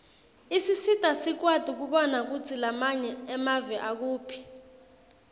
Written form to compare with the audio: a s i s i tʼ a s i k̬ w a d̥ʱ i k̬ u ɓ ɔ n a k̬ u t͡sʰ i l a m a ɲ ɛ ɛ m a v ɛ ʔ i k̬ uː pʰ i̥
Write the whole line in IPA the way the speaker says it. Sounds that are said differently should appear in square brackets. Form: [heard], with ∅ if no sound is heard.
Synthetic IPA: [i] s i s i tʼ a s i k̬ w a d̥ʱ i k̬ u ɓ ɔ n a k̬ u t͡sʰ i l a m a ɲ ɛ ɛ m a v ɛ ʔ [a] k̬ uː pʰ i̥

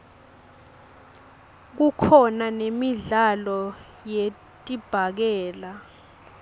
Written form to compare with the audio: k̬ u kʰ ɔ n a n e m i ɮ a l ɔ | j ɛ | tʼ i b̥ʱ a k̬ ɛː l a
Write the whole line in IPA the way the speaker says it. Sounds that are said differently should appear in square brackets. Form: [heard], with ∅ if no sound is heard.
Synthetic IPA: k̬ u kʰ ɔ n a n e m i ɮ a l ɔ | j [e] | tʼ i b̥ʱ a k̬ ɛː l a

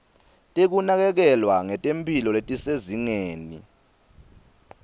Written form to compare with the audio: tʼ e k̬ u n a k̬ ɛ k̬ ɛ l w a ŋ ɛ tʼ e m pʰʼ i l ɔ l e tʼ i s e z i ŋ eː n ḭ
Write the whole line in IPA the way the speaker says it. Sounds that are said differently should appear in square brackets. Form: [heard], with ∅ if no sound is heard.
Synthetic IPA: tʼ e k̬ u n a k̬ ɛ k̬ ɛ l w a ŋ ɛ tʼ e m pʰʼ i l ɔ l e tʼ i s e z i ŋ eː n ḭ

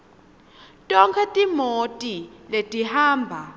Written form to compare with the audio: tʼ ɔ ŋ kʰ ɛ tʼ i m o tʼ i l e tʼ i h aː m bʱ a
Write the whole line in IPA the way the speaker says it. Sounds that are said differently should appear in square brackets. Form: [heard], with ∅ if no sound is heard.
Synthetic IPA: tʼ ɔ ŋ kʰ ɛ tʼ i m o tʼ i l e tʼ i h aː m bʱ a

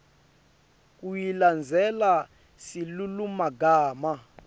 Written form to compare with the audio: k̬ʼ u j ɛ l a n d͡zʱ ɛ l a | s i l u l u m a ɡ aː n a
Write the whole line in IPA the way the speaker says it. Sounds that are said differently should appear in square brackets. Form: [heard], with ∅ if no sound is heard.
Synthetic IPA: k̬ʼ u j [i] l a n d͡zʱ ɛ l a | s i l u l u m a ɡ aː [m] a

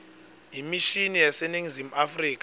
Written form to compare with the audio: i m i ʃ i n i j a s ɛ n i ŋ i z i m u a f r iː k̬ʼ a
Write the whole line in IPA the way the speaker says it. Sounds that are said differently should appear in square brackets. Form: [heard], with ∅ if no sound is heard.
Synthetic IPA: i m i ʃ i n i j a s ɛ n i ŋ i z i m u a f r iː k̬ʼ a

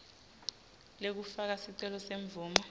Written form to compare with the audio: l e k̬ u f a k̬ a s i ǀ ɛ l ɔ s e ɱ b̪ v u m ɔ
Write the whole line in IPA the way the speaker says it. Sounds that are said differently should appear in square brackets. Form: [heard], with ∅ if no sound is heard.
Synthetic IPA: l e k̬ u f a k̬ a s i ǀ ɛ l ɔ s e ɱ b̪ v [uː] m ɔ

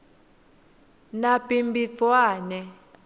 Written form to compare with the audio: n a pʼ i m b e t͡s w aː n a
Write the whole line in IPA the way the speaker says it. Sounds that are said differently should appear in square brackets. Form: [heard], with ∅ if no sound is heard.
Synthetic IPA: n a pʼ i m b [i] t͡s w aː n [ɛ]

